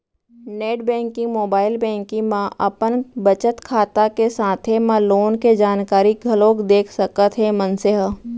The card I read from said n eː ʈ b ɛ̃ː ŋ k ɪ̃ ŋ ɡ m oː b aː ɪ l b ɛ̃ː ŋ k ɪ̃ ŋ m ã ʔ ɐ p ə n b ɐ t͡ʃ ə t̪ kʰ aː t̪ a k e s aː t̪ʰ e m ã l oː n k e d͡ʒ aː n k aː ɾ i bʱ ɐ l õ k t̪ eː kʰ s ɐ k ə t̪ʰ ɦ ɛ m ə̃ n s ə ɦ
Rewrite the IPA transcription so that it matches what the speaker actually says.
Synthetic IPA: n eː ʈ b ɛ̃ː ŋ k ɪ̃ ŋ ɡ m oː b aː ɪ l b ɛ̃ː ŋ k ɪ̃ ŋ m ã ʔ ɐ p ə n b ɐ t͡ʃ ə t̪ kʰ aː t̪ a k e s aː t̪ʰ e m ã l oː n k e d͡ʒ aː n k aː ɾ i ɡʱ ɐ l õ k d̪ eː kʰ s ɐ k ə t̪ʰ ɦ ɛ m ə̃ n s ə ɦ